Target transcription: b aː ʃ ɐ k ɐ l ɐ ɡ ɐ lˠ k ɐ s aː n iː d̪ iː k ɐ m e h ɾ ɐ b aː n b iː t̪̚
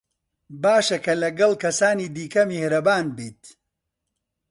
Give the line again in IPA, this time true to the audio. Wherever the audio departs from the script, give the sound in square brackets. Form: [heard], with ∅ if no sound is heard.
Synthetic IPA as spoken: b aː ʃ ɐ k ɐ l ɐ ɡ ɐ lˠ k ɐ s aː n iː d̪ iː k ɐ m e h ɾ ɐ b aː n b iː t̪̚